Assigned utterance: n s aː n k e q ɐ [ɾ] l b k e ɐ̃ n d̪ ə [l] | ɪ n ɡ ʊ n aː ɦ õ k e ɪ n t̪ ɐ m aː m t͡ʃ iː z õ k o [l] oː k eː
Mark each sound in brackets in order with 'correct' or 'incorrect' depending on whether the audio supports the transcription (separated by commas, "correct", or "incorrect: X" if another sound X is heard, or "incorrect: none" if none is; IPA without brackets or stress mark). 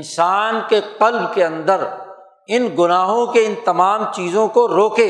incorrect: none, incorrect: ɾ, incorrect: ɾ